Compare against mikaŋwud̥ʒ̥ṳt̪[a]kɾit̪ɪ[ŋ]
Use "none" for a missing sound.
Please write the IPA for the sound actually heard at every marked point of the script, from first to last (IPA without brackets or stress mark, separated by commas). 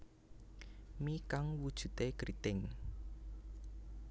e, ŋ